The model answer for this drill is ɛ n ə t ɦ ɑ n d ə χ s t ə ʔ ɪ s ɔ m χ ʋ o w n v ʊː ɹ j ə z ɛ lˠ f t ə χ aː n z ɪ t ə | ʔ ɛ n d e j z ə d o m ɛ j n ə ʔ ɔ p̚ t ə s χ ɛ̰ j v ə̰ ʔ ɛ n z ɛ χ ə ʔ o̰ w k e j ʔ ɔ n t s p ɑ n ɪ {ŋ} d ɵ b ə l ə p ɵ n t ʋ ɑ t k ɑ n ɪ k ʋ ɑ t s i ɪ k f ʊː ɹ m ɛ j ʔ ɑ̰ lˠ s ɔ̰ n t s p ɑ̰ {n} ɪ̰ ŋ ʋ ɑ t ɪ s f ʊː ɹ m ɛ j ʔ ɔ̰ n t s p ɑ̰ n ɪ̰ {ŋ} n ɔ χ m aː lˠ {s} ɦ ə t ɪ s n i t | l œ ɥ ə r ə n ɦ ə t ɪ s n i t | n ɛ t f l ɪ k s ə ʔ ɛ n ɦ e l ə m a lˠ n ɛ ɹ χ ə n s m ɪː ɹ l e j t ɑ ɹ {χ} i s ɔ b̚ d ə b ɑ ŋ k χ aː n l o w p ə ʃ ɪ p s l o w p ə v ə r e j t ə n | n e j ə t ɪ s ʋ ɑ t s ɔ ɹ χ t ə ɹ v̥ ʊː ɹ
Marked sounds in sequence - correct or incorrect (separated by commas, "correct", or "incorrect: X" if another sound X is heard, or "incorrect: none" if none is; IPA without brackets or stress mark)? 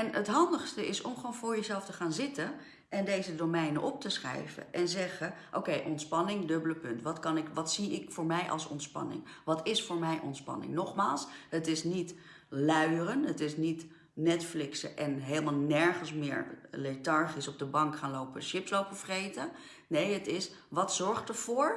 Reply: correct, correct, correct, correct, correct